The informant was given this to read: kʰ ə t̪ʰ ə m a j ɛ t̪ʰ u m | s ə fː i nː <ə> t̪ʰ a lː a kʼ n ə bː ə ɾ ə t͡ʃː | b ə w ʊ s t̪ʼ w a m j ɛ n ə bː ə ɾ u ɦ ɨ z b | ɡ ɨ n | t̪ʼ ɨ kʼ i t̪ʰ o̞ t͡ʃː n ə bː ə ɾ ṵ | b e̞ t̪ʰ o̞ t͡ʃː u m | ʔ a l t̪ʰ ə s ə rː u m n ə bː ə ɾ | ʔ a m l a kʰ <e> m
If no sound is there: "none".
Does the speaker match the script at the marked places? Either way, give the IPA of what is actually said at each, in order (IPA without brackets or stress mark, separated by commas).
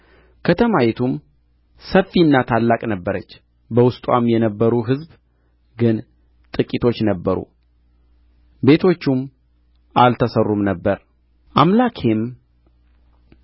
a, e